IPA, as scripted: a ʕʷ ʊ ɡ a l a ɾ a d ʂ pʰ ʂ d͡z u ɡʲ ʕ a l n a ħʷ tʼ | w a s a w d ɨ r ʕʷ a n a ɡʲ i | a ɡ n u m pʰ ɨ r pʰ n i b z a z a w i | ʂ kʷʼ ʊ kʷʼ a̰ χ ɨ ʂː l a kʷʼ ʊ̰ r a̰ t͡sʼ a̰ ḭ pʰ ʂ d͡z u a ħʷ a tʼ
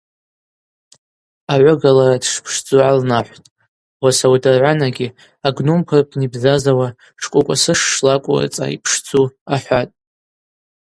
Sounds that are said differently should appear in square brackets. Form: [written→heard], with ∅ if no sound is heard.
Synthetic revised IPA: a ʕʷ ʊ ɡ a l a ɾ a d ʂ pʰ ʂ d͡z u [ɡʲ→∅] ʕ a l n a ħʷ tʼ | w a s a w d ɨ r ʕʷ a n a ɡʲ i | a ɡ n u m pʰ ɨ r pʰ n i b z a z a w [i→a] | ʂ kʷʼ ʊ kʷʼ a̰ [χ→s] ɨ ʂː l a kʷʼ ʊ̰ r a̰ t͡sʼ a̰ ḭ pʰ ʂ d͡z u a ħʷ a tʼ